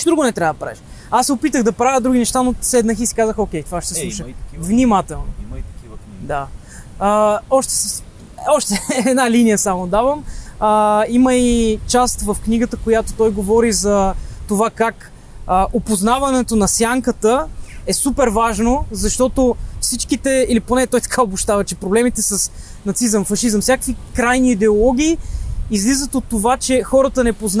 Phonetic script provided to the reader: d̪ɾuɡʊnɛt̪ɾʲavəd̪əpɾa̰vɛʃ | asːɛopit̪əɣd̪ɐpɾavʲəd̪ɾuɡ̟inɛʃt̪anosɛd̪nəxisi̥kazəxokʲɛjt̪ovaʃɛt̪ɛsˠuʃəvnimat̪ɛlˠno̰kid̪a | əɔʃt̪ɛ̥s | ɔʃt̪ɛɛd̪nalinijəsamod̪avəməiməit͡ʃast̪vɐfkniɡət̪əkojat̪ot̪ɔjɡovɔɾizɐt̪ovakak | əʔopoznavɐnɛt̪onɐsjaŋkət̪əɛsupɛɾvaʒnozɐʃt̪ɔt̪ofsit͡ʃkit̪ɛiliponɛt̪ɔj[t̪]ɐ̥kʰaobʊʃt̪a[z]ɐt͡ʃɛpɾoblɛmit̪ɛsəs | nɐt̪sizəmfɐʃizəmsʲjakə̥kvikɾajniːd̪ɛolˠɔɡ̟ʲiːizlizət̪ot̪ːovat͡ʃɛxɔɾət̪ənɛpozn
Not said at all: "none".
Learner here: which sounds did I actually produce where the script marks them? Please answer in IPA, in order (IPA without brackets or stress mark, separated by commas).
t̪, v